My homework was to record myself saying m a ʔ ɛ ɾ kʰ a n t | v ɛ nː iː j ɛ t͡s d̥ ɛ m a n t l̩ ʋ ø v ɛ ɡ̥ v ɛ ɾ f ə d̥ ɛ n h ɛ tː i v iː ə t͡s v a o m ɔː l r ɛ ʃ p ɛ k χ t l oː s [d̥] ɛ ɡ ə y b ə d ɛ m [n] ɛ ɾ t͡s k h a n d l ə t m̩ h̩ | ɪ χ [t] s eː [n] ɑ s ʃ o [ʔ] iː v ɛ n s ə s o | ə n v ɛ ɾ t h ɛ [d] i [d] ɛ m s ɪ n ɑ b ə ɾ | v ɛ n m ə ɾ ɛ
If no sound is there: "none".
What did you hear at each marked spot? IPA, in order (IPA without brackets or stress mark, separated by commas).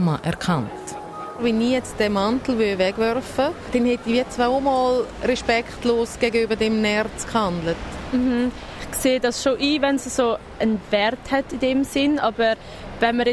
ɡ̥, n, k, d, ʔ, t, d